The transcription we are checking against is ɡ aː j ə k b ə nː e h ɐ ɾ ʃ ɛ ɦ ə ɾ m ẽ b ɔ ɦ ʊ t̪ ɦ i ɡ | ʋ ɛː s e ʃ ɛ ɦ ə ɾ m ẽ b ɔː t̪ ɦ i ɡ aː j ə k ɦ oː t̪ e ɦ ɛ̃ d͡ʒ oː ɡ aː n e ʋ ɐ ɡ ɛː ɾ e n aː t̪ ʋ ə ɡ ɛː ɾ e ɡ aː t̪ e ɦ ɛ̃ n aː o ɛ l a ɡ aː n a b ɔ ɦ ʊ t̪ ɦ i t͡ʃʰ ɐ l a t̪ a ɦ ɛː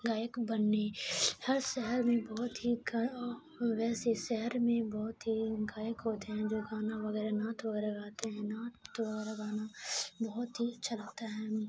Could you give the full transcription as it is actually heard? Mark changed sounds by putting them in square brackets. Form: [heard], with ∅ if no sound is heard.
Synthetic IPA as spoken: ɡ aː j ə k b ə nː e h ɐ ɾ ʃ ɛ ɦ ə ɾ m ẽ b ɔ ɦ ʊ t̪ ɦ i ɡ | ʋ ɛː s e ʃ ɛ ɦ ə ɾ m ẽ b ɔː t̪ ɦ i ɡ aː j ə k ɦ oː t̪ e ɦ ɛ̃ d͡ʒ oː ɡ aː n [a] ʋ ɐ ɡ ɛː ɾ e n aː t̪ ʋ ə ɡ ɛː ɾ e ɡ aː t̪ e ɦ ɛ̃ n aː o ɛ [ɾ] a ɡ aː n a b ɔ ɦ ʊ t̪ ɦ i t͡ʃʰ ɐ l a t̪ a ɦ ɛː